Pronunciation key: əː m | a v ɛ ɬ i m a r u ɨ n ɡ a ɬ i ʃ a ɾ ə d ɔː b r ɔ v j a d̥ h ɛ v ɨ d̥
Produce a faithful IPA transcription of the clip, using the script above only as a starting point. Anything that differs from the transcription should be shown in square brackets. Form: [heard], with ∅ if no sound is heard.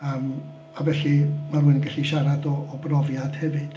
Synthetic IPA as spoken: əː m | a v ɛ ɬ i m a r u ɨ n ɡ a ɬ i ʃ a ɾ [a] d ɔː b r ɔ v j a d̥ h ɛ v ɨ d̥